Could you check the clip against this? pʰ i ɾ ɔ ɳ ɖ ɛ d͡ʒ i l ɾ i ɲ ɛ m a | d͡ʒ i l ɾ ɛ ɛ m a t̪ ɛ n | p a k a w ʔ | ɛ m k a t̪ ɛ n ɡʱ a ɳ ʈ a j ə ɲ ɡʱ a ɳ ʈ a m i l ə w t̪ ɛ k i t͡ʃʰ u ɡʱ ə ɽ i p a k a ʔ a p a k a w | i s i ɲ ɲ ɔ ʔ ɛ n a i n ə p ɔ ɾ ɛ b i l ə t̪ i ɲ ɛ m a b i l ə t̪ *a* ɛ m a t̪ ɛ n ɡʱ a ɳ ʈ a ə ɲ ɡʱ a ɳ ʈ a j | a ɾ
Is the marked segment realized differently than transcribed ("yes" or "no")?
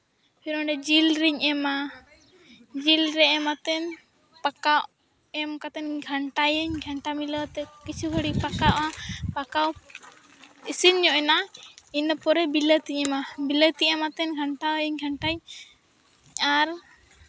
yes